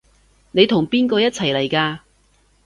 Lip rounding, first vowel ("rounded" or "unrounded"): unrounded